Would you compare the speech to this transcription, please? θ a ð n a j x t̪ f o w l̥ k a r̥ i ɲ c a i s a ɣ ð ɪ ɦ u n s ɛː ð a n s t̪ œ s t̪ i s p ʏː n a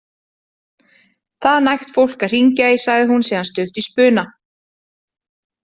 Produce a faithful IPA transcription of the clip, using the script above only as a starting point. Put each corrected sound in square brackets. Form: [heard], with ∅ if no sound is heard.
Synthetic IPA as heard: θ a ð n a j x t̪ f o w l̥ k a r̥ i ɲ c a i s a ɣ ð ɪ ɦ u n s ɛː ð a n s t̪ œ [h] t̪ i s p ʏː n a